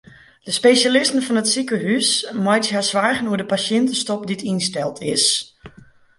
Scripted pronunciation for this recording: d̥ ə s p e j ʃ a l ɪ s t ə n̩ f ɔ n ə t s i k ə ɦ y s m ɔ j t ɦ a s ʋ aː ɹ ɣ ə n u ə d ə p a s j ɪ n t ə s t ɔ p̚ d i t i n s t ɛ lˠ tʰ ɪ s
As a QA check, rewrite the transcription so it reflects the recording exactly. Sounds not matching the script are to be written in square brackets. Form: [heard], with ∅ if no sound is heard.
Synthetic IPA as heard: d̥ ə s p e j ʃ a l ɪ s t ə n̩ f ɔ n ə t s i k ə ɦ y s m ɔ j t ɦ a s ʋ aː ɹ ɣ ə n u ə d ə p a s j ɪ n t ə s t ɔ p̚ d i t i n s t ɛ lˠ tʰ ɪ s